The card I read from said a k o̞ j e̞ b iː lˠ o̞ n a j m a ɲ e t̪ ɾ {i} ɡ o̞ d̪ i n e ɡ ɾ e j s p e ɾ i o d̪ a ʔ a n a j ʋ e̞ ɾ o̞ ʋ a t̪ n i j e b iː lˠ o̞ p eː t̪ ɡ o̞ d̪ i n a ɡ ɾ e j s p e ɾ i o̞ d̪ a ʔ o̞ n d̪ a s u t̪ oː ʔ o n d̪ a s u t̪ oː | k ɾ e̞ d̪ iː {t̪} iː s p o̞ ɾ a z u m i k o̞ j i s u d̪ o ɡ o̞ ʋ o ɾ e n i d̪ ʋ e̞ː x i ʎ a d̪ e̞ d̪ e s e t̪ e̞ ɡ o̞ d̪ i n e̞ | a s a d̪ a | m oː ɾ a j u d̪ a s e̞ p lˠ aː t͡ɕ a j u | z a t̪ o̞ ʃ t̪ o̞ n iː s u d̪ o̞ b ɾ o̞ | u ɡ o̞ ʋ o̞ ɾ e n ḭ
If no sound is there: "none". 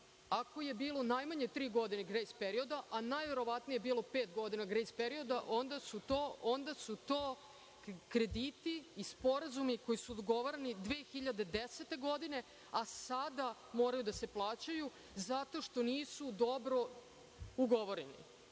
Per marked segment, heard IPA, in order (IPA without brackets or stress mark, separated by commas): iː, t̪